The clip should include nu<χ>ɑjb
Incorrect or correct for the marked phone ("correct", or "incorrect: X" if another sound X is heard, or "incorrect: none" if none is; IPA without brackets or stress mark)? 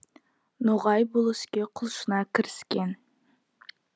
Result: incorrect: ʁ